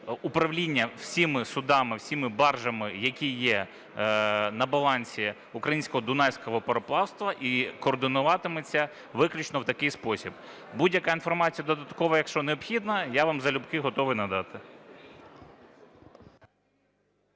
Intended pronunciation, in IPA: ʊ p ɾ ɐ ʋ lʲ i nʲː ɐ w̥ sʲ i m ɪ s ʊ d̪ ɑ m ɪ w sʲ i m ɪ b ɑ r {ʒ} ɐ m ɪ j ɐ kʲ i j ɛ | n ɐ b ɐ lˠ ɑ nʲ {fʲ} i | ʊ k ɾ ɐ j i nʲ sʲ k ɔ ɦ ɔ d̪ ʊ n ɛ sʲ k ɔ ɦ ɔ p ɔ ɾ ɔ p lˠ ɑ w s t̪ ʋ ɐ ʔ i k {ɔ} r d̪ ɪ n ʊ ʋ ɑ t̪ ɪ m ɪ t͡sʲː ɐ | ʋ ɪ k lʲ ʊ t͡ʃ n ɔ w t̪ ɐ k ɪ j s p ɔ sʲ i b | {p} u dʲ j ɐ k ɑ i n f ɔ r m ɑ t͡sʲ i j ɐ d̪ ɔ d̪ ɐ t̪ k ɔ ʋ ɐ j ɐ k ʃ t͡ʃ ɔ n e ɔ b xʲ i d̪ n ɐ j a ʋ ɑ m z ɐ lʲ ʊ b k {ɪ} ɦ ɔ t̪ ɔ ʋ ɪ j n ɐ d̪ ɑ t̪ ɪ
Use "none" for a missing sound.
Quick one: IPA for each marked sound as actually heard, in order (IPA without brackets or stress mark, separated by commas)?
ʒ, sʲ, ɔː, b, ɪ